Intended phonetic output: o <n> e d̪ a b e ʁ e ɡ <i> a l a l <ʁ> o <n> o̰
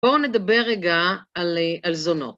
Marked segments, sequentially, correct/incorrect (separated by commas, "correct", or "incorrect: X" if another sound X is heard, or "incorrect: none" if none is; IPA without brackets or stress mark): correct, incorrect: a, incorrect: z, correct